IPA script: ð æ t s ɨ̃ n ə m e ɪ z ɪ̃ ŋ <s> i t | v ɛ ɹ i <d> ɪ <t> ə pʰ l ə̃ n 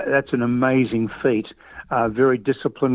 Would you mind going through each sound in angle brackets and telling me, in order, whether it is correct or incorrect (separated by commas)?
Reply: incorrect, correct, incorrect